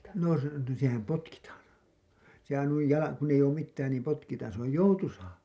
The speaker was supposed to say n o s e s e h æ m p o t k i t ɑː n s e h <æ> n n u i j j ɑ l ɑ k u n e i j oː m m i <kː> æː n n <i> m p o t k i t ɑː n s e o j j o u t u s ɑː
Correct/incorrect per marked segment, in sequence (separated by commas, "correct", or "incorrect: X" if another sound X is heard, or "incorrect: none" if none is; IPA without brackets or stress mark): correct, incorrect: tː, incorrect: iː